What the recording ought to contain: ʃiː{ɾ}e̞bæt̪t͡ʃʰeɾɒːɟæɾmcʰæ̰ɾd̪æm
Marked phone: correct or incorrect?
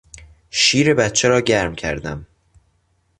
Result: correct